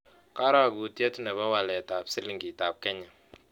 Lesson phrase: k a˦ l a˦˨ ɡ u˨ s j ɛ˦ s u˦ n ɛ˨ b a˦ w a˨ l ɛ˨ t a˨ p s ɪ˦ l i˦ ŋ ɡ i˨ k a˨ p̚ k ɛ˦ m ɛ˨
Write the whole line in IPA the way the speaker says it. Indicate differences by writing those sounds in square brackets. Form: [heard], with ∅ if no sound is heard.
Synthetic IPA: k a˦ [ɾ] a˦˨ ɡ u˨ [t] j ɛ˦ [t] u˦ n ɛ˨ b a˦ w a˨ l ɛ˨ t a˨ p s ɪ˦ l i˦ ŋ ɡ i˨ [t] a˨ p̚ k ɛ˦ [ɲ] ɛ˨